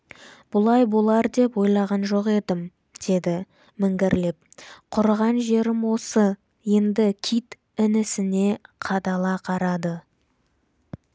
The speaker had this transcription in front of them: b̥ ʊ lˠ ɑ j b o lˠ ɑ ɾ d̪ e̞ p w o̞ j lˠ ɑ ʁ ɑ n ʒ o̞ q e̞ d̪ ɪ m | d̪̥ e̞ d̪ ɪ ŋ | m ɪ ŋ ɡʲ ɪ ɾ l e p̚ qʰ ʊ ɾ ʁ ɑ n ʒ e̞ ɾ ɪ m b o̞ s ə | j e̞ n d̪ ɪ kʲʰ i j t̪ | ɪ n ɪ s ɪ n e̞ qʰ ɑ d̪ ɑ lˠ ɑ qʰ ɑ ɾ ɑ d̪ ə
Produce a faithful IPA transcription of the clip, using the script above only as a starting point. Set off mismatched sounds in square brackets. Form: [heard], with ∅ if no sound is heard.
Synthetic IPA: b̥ ʊ lˠ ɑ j b o lˠ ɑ ɾ d̪ e̞ p w o̞ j lˠ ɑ ʁ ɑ n ʒ o̞ q e̞ d̪ ɪ m | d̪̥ e̞ d̪ ɪ [∅] | m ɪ ŋ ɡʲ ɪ ɾ l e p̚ qʰ ʊ ɾ ʁ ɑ n ʒ e̞ ɾ ɪ m [w] o̞ s ə | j e̞ n d̪ ɪ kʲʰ i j t̪ | ɪ n ɪ s ɪ n e̞ qʰ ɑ d̪ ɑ lˠ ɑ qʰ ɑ ɾ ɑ d̪ ə